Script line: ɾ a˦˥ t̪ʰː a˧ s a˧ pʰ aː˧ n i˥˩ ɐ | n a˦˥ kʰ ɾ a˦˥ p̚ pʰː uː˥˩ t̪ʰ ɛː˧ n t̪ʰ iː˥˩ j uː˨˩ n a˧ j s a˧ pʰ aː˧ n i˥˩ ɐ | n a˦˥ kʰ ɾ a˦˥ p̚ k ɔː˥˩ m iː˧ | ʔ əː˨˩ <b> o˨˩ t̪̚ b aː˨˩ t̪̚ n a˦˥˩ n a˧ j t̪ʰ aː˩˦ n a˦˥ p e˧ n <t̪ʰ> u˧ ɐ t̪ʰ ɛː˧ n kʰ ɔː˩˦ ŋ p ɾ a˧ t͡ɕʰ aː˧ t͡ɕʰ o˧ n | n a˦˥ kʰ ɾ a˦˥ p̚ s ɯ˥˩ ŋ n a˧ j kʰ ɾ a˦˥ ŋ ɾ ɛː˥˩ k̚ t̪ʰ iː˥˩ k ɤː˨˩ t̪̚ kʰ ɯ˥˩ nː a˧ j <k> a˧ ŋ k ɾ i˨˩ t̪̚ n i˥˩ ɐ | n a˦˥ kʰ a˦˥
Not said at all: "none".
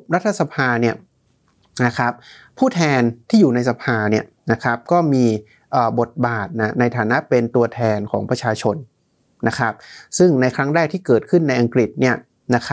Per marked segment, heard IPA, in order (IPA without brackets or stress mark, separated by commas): b, t̪, ʔ